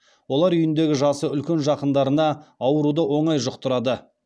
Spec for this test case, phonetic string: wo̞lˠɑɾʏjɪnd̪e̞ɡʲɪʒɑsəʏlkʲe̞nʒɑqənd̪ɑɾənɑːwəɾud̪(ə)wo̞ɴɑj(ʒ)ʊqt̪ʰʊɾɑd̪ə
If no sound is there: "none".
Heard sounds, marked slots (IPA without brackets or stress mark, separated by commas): ə, ʒ